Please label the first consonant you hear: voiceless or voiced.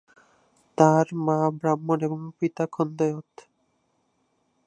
voiceless